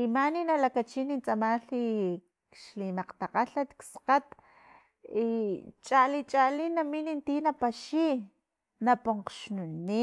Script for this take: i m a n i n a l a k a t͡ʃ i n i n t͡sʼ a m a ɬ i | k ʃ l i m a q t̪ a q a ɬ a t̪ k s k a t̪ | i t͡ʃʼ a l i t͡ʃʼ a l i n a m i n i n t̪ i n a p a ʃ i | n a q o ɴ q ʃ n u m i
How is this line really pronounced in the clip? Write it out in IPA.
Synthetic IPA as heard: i m a n i n a l a k a t͡ʃ i n i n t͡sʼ a m a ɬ i | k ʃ l i m a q t̪ a q a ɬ a t̪ k s q a t̪ | i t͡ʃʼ a l i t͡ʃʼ a l i n a m i n i n t̪ i n a p a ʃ i | n a p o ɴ q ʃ n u n i